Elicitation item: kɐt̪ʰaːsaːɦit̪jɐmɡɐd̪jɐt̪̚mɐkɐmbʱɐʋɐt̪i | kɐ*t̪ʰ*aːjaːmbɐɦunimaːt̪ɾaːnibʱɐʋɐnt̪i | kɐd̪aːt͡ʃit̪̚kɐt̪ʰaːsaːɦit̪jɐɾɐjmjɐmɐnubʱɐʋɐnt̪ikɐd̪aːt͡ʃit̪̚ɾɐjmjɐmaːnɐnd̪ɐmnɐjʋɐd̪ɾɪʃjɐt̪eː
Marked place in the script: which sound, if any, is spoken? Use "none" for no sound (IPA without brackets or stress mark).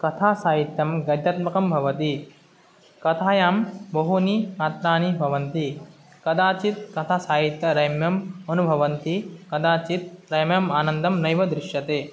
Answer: t̪ʰ